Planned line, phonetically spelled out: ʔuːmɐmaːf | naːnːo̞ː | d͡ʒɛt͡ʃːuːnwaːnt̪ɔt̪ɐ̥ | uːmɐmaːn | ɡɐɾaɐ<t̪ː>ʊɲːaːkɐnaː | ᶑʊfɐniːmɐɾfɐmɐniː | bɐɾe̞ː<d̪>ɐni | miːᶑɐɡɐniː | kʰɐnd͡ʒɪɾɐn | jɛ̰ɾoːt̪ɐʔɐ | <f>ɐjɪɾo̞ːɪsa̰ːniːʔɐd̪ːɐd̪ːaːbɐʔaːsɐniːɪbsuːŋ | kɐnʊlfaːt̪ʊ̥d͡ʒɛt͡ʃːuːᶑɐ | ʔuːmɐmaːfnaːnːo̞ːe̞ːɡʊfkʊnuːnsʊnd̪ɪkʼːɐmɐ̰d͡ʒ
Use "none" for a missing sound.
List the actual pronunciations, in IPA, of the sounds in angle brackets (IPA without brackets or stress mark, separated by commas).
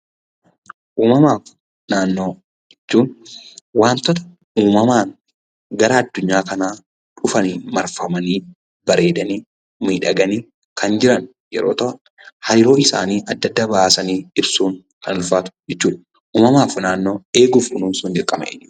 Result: d̪ː, d̪, h